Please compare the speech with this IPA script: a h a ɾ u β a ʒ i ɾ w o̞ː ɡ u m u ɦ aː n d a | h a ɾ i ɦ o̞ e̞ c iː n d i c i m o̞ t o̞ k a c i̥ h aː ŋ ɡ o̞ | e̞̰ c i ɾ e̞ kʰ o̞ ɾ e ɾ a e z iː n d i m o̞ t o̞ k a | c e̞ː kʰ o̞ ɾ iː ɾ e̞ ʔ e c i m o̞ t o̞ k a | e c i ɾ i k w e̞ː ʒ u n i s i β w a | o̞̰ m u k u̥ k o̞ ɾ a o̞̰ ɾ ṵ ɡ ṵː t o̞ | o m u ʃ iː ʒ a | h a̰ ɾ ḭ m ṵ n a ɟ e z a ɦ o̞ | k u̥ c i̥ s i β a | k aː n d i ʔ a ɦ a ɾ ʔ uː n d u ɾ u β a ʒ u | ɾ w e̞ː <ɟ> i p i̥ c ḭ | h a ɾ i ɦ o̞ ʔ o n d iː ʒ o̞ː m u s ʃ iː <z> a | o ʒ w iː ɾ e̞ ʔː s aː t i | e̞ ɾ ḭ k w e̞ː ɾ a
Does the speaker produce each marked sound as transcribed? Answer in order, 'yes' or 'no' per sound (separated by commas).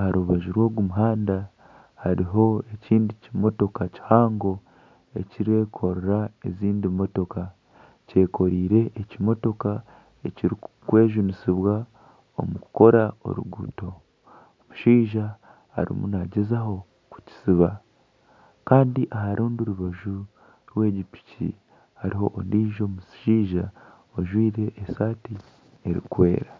yes, no